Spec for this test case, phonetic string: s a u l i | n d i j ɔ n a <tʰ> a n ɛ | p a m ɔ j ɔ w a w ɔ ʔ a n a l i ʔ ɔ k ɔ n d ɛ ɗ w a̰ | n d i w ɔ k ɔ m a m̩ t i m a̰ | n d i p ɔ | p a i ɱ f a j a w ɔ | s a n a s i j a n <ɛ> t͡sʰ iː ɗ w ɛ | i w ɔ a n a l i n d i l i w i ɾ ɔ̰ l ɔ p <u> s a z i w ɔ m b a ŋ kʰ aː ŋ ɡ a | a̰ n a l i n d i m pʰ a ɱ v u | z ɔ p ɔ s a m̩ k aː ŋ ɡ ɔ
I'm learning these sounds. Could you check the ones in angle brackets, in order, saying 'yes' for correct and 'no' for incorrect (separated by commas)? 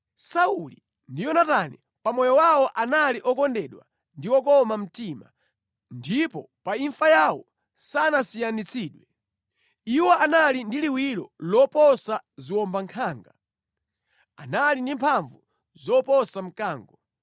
no, no, no